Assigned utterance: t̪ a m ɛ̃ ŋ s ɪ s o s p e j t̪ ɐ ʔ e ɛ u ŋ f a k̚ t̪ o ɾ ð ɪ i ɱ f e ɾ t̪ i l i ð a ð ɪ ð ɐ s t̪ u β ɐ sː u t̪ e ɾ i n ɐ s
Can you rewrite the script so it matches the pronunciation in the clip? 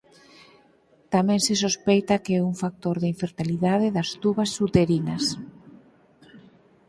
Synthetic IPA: t̪ a m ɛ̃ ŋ s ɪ s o s p e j t̪ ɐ k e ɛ u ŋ f a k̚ t̪ o ɾ ð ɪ i ɱ f e ɾ t̪ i l i ð a ð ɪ ð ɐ s t̪ u β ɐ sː u t̪ e ɾ i n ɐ s